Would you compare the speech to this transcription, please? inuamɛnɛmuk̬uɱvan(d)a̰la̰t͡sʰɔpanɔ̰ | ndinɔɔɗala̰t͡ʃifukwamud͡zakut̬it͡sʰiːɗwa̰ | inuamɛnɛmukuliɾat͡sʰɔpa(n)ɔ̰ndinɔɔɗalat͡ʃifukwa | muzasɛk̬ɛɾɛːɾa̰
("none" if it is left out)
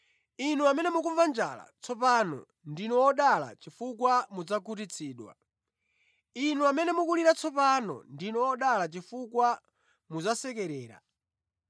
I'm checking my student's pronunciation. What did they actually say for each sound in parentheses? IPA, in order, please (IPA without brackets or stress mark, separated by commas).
d͡ʒ, n